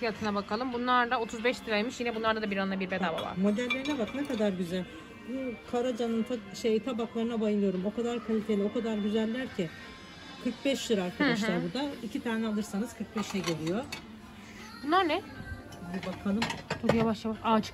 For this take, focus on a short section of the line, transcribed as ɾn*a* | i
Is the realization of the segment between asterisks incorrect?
yes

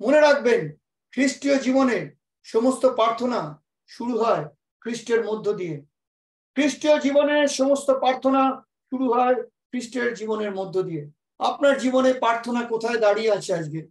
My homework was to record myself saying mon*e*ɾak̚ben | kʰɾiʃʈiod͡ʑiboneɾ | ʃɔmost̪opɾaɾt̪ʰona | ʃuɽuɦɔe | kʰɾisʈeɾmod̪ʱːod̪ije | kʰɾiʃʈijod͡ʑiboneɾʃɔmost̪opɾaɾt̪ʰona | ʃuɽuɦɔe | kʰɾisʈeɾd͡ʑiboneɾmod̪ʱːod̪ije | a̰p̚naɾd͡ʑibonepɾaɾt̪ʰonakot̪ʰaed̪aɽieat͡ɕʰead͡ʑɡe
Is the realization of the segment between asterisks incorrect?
no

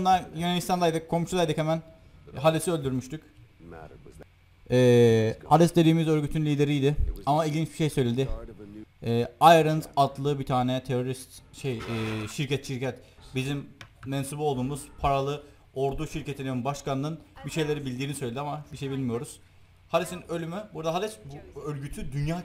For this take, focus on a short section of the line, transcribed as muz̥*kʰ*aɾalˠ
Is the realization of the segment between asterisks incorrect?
yes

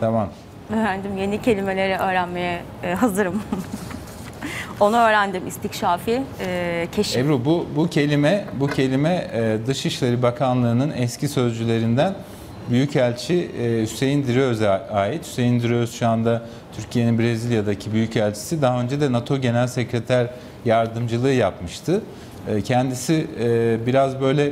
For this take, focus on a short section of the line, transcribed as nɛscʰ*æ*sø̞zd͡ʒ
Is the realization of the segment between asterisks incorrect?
yes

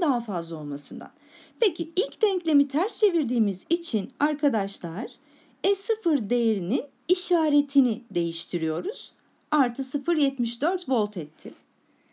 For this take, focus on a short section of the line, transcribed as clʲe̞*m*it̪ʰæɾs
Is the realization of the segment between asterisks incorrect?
no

